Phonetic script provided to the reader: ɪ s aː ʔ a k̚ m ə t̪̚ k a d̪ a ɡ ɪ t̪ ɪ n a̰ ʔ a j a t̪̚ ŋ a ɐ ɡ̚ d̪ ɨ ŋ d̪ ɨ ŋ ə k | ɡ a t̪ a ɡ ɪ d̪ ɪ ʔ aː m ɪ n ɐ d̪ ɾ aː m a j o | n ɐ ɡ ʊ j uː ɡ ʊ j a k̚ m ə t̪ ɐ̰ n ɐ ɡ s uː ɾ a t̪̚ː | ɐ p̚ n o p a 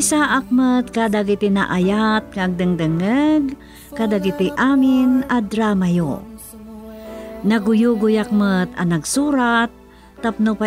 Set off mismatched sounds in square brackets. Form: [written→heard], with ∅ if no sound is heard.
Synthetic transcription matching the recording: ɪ s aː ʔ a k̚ m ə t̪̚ k a d̪ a ɡ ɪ t̪ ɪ n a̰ ʔ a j a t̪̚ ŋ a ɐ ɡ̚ d̪ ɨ ŋ d̪ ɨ ŋ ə [k→ɡ] | [ɡ→k] a [t̪→d̪] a ɡ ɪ [d̪→t̪] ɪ ʔ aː m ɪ n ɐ d̪ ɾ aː m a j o | n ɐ ɡ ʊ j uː ɡ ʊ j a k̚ m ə t̪ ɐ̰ n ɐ ɡ s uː ɾ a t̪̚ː | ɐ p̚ n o p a